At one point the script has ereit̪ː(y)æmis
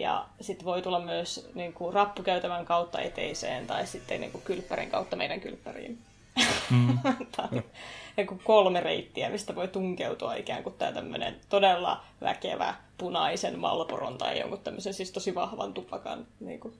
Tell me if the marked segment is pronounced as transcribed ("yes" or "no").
no